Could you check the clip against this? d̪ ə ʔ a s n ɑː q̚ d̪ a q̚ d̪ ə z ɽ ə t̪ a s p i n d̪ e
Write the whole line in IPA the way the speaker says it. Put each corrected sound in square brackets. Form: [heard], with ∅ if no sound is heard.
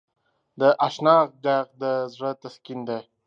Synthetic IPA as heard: d̪ ə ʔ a [ʃ] n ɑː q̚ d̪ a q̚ d̪ ə z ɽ ə t̪ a s [k] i n d̪ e